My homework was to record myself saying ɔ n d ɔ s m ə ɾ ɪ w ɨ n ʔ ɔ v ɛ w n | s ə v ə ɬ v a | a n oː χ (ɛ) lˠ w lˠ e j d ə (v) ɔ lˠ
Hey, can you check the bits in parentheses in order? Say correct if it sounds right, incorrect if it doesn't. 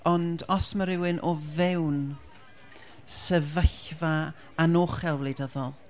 correct, incorrect

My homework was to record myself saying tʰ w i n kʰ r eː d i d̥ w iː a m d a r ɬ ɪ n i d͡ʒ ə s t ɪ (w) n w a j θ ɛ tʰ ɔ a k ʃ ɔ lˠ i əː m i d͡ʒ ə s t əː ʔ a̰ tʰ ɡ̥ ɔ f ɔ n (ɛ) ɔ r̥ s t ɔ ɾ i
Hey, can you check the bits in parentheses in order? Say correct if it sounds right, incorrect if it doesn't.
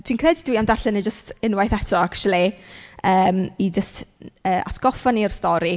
incorrect, incorrect

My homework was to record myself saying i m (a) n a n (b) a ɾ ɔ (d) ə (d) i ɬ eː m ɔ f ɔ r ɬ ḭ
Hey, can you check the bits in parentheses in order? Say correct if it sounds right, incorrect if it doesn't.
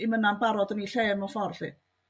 incorrect, correct, correct, incorrect

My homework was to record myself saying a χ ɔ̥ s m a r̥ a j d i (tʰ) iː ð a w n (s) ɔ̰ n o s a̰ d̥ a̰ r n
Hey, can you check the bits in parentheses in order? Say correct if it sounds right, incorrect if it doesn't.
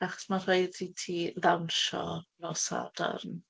correct, incorrect

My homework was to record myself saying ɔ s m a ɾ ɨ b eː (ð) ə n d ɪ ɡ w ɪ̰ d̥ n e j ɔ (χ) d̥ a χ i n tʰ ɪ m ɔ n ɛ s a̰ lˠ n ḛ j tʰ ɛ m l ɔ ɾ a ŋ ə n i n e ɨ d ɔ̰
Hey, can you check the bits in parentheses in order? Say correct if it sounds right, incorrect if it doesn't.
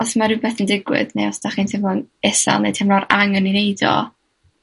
incorrect, incorrect

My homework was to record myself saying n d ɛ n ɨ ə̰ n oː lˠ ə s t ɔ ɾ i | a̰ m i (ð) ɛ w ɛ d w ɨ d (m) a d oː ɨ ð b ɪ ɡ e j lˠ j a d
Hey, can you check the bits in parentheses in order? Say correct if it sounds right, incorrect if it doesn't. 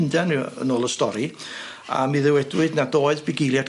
correct, incorrect

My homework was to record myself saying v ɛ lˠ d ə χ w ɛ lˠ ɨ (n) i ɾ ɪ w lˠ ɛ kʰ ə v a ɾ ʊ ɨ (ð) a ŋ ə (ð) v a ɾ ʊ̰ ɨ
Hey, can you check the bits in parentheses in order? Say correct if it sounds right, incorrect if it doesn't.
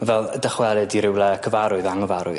incorrect, correct, incorrect

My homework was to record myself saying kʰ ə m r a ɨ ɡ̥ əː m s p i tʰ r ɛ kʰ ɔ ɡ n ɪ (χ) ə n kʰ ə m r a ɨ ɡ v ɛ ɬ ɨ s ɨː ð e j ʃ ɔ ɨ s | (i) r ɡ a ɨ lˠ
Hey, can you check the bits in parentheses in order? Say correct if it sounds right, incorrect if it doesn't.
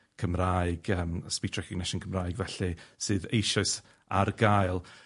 incorrect, incorrect

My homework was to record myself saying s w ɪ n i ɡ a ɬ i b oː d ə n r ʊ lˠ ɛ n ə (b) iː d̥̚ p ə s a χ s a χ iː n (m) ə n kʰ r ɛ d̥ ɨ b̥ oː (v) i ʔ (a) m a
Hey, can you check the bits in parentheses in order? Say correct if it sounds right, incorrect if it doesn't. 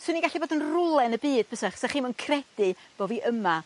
correct, correct, correct, incorrect

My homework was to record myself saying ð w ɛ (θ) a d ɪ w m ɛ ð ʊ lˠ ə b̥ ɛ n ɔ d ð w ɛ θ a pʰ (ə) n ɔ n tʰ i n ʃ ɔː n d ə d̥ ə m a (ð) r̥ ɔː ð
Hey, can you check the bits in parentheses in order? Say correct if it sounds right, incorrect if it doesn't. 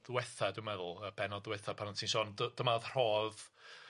correct, incorrect, correct

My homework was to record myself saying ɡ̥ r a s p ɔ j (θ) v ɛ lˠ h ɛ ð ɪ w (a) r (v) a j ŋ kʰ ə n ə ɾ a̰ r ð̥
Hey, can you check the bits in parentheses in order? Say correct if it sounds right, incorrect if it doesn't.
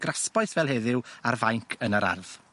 correct, correct, correct

